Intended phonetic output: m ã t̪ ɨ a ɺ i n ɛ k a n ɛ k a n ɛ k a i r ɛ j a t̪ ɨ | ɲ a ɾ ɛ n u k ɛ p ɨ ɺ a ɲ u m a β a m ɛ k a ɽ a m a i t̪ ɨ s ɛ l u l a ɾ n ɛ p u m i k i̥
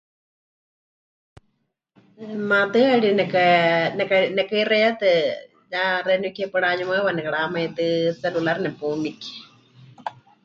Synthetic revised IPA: m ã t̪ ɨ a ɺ i n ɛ k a n ɛ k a n ɛ k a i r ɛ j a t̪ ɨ | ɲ a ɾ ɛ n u k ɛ p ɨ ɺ a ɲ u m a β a n ɛ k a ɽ a m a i t̪ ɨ s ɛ l u l a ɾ n ɛ p u m i k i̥